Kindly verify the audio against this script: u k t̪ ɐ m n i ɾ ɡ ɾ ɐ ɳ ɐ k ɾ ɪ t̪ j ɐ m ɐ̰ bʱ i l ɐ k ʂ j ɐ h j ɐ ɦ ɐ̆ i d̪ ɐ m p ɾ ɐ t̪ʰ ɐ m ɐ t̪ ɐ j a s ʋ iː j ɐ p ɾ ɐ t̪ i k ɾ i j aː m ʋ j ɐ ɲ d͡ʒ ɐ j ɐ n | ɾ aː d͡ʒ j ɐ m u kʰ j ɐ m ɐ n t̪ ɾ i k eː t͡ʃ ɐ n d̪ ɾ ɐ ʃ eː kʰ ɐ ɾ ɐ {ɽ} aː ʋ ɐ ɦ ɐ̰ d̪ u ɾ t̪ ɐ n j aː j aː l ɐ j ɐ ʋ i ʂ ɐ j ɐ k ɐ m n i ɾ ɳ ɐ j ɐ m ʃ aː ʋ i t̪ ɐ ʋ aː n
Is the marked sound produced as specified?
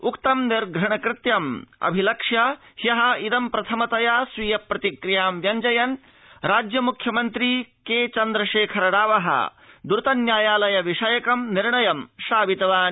yes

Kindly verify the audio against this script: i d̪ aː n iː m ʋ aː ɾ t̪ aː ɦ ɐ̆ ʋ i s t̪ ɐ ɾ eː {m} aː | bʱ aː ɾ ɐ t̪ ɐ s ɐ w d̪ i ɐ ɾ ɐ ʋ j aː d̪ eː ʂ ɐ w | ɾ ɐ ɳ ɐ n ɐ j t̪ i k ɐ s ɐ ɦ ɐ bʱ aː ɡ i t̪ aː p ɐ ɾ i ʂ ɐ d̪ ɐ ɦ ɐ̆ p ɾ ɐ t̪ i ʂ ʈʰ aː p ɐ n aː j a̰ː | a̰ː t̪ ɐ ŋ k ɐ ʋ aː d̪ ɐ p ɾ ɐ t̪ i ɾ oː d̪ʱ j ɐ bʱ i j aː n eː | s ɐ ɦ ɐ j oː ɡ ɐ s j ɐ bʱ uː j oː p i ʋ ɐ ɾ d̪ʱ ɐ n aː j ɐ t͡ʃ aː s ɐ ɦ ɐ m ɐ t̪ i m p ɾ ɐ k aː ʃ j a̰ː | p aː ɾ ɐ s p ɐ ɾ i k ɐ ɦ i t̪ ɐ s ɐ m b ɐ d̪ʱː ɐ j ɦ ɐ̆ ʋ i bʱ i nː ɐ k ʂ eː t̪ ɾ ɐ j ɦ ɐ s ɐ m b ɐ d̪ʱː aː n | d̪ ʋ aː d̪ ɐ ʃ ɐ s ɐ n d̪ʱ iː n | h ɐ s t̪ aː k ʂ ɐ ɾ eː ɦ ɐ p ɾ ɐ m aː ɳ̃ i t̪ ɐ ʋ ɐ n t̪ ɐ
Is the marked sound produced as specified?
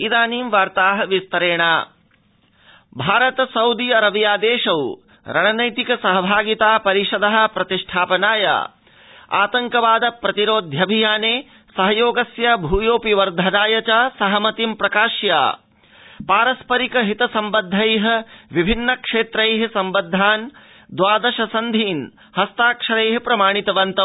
no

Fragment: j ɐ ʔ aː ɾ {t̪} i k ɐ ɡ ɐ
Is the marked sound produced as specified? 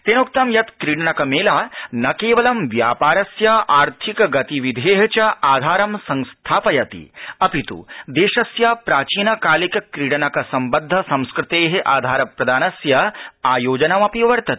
no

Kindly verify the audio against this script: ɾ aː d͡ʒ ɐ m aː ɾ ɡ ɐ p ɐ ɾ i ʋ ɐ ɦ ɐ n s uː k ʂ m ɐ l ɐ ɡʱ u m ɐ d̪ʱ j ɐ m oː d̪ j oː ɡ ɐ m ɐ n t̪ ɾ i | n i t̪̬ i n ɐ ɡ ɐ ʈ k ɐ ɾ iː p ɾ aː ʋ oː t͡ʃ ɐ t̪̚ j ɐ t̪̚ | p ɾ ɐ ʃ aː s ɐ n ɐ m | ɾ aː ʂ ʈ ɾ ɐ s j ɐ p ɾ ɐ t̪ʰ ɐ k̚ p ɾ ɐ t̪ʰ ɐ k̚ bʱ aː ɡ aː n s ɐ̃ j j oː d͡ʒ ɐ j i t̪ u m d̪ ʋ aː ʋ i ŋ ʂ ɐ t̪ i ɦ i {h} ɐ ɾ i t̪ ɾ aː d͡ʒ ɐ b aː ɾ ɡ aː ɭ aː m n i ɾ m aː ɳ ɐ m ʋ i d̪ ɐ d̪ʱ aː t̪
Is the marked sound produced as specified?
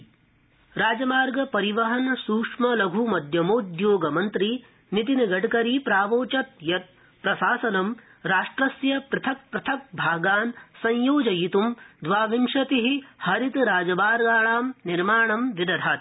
yes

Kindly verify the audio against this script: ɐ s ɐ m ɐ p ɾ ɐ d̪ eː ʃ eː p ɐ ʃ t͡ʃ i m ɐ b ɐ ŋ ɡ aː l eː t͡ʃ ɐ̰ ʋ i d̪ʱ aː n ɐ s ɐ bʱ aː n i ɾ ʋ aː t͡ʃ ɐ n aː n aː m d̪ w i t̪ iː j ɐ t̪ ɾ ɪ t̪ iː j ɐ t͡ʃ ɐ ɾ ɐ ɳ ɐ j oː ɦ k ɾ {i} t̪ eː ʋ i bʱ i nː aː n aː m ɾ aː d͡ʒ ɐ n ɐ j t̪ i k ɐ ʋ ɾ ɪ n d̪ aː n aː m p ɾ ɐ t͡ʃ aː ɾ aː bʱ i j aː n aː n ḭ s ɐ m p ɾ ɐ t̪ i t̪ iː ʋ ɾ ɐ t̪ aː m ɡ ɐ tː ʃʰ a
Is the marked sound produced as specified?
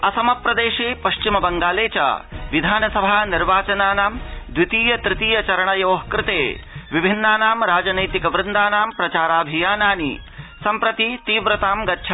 no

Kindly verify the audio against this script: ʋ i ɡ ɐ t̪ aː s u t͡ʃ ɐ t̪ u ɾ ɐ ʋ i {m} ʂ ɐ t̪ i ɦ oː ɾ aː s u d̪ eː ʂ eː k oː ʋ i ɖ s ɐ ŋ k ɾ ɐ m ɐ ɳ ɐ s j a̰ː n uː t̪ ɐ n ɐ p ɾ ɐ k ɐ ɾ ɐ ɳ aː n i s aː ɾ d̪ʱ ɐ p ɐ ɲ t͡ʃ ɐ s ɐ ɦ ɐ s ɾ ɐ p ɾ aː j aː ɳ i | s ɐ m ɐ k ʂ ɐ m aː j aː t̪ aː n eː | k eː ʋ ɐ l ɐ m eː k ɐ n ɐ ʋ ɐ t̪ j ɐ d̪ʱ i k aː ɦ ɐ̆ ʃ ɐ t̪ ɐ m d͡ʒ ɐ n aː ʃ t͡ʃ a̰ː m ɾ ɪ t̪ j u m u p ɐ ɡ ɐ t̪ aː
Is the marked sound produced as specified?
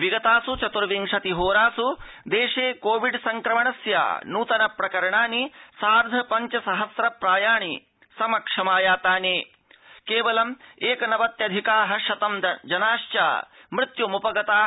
no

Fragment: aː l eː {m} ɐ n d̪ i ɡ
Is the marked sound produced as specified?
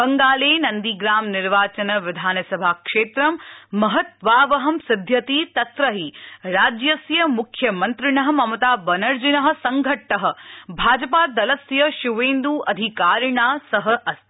no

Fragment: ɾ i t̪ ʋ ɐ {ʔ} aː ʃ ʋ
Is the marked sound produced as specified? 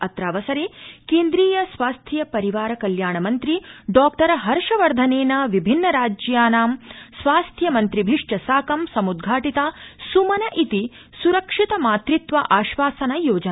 yes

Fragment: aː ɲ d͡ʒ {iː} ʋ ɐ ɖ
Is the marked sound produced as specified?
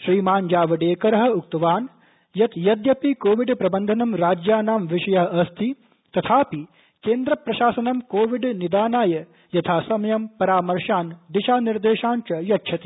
no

